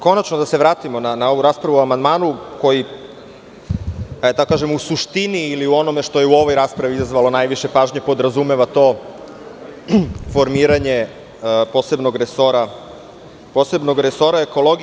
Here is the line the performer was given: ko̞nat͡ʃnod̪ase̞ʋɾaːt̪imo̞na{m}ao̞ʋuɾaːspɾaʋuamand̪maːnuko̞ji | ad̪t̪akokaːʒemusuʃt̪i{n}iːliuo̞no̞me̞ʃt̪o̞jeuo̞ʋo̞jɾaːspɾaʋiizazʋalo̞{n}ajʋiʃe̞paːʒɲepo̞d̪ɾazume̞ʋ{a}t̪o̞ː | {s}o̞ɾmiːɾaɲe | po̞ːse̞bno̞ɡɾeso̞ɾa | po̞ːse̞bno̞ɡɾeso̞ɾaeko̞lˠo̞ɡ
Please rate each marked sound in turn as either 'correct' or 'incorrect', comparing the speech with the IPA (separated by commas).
incorrect, correct, correct, correct, incorrect